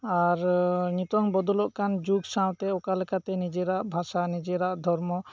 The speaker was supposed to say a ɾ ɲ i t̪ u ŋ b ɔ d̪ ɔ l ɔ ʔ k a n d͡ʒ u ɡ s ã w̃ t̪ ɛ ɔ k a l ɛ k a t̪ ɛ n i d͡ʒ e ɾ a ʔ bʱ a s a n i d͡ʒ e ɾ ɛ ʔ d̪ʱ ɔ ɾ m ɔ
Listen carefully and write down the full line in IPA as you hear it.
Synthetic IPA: a ɾ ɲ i t̪ ɔ ŋ b ɔ d̪ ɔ l ɔ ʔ k a n d͡ʒ u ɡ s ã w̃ t̪ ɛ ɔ k a l ɛ k a t̪ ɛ n i d͡ʒ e ɾ a ʔ bʱ a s a n i d͡ʒ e ɾ a ʔ d̪ʱ ɔ ɾ m ɔ